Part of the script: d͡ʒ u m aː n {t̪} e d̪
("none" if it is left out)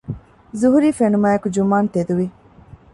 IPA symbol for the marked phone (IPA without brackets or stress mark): t̪